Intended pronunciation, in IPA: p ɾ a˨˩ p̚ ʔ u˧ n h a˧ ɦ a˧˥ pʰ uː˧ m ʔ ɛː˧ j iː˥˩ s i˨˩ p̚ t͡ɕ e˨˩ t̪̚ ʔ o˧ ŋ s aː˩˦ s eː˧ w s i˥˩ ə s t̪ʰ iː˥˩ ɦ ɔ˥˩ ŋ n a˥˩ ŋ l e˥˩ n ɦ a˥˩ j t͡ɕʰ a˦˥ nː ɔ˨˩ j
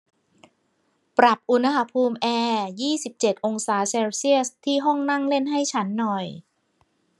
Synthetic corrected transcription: p ɾ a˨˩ p̚ ʔ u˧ n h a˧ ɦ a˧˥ pʰ uː˧ m ʔ ɛː˧ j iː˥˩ s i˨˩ p̚ t͡ɕ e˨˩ t̪̚ ʔ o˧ ŋ s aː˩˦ s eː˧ w s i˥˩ ə s t̪ʰ iː˥˩ ɦ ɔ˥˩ ŋ n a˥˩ ŋ l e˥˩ n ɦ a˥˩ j t͡ɕʰ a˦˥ nː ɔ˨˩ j

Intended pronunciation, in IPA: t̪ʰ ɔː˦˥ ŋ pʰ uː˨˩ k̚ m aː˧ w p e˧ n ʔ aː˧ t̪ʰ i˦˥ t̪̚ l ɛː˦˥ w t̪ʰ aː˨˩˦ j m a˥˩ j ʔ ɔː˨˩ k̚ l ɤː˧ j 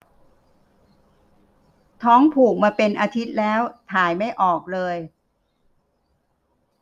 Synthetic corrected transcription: t̪ʰ ɔː˦˥ ŋ pʰ uː˨˩ k̚ m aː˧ p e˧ n ʔ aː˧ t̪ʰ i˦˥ t̪̚ l ɛː˦˥ w t̪ʰ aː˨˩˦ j m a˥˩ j ʔ ɔː˨˩ k̚ l ɤː˧ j

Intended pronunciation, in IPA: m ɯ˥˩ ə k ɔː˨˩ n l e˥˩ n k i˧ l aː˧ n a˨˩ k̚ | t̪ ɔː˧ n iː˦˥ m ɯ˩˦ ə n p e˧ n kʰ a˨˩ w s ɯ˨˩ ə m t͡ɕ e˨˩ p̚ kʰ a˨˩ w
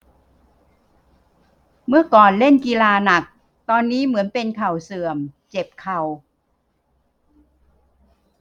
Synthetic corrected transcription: m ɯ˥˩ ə k ɔː˨˩ n l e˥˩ n k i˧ l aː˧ n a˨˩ k̚ | t̪ ɔː˧ nː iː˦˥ m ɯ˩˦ ə n p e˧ n kʰ a˨˩ w s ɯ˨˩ ə m t͡ɕ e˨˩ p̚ kʰ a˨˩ w

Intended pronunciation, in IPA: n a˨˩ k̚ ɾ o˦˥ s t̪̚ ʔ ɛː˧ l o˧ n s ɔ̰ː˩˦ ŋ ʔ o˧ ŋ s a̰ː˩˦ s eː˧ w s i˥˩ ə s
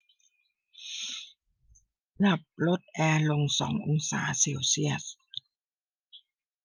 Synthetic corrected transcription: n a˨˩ p̚ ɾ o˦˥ t̪̚ ʔ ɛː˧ l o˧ ŋ s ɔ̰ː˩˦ ŋ ʔ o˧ ŋ s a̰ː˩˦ s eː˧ w s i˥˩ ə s

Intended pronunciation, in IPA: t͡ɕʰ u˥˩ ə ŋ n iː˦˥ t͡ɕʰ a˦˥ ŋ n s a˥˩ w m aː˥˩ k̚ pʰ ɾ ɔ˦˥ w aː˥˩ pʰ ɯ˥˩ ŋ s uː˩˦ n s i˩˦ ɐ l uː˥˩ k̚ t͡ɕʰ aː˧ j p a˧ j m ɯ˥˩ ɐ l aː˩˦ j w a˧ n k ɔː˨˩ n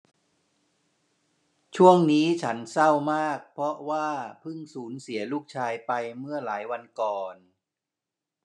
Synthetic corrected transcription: t͡ɕʰ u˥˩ ə ŋ n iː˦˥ t͡ɕʰ a˦˥ n s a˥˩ w m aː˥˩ k̚ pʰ ɾ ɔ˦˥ w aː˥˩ pʰ ɯ˥˩ ŋ s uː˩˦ n s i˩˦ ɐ l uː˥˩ k̚ t͡ɕʰ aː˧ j p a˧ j m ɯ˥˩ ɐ l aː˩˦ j w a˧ n k ɔː˨˩ n

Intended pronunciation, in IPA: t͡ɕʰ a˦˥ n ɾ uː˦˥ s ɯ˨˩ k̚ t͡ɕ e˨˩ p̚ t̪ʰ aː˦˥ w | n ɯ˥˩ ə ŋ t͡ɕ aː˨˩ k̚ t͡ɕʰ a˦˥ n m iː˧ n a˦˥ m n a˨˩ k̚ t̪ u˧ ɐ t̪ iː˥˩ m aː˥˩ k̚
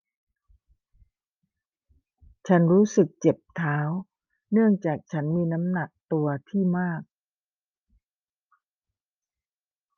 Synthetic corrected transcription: t͡ɕʰ a˦˥ n ɾ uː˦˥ s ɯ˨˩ k̚ t͡ɕ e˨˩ p̚ t̪ʰ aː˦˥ w | n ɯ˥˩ ə ŋ t͡ɕ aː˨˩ k̚ t͡ɕʰ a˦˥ n m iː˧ n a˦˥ m n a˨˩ k̚ t̪ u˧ ɐ t̪ʰ iː˥˩ m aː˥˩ k̚

